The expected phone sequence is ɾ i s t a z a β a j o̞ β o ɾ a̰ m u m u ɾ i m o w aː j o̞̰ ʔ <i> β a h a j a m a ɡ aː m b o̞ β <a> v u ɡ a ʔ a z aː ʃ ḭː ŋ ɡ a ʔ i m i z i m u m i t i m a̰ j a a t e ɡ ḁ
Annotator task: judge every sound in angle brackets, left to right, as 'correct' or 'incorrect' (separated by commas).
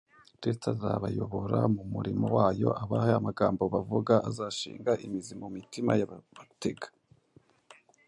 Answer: incorrect, correct